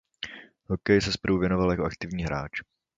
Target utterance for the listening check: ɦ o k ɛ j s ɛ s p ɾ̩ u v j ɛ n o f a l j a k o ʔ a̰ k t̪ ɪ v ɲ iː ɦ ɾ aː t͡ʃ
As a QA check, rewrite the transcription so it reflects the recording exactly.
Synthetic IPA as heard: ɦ o k ɛ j s ɛ s p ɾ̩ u v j ɛ n o v a l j a k o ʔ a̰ k t̪ ɪ v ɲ iː ɦ ɾ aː t͡ʃ

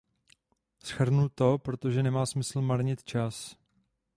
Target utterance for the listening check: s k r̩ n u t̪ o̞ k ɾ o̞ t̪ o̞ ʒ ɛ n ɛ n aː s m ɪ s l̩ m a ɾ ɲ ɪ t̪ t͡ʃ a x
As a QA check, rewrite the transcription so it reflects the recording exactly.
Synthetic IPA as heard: s x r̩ n u t̪ o̞ p ɾ o̞ t̪ o̞ ʒ ɛ n ɛ m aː s m ɪ s l̩ m a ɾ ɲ ɪ t̪ t͡ʃ a s

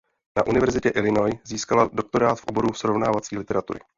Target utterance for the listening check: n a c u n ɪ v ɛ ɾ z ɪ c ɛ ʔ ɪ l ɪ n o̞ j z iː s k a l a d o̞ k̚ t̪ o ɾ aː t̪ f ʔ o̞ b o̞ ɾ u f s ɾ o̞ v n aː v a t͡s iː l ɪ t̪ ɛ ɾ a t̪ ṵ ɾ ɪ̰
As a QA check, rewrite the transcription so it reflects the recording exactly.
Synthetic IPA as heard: n a ʔ u n ɪ v ɛ ɾ z ɪ c ɛ ʔ ɪ l ɪ n o̞ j z iː s k a l a d o̞ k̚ t̪ o ɾ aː t̪ f ʔ o̞ b o̞ ɾ u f s ɾ o̞ v n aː v a t͡s iː l ɪ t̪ ɛ ɾ a t̪ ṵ ɾ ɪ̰

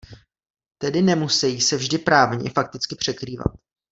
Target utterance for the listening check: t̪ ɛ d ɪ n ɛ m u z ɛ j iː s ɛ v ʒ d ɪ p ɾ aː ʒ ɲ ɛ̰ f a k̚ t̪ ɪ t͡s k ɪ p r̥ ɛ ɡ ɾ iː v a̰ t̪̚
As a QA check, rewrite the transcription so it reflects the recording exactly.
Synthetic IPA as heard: t̪ ɛ d ɪ n ɛ m u s ɛ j iː s ɛ v ʒ d ɪ p ɾ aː v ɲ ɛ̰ f a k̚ t̪ ɪ t͡s k ɪ p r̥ ɛ k ɾ iː v a̰ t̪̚

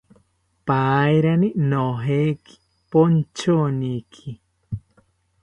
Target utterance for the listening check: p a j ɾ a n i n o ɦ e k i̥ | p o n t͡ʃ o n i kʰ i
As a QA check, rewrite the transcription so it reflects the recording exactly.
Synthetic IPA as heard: p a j ɾ a n i n o ɦ e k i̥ | p o n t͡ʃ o n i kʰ i

